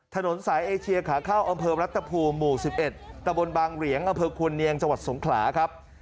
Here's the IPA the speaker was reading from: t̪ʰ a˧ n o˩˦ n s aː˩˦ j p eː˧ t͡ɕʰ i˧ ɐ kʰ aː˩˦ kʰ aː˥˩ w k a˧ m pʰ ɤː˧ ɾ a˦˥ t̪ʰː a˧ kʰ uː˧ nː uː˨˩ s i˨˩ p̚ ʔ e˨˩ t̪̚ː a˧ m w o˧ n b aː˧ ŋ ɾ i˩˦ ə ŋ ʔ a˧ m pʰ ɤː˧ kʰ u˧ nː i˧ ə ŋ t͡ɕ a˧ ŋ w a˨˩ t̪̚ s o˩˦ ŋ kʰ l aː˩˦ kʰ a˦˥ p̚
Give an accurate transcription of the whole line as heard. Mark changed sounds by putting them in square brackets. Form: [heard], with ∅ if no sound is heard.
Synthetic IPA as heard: t̪ʰ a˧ n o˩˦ n s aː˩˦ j [ʔ] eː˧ t͡ɕʰ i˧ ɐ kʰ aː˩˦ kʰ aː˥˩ w [ʔ] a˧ m pʰ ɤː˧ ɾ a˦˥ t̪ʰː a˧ [pʰ] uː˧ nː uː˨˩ s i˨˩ p̚ ʔ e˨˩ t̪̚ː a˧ m [b] o˧ n b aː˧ ŋ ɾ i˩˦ ə ŋ ʔ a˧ m pʰ ɤː˧ kʰ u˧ nː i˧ ə ŋ t͡ɕ a˧ ŋ w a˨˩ t̪̚ s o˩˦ ŋ kʰ l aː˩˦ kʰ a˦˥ p̚